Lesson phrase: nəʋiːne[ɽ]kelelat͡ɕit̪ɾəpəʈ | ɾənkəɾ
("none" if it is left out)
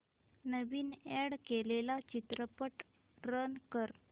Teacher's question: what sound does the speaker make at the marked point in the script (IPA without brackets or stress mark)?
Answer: ɽ